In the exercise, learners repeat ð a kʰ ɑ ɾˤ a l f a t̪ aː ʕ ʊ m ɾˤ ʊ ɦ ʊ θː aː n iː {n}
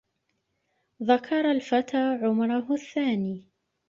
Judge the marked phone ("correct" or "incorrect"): incorrect